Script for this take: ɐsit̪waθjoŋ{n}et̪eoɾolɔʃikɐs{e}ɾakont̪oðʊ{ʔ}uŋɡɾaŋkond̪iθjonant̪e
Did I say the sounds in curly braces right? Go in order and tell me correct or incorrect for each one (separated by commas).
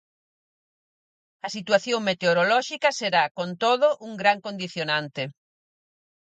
incorrect, correct, correct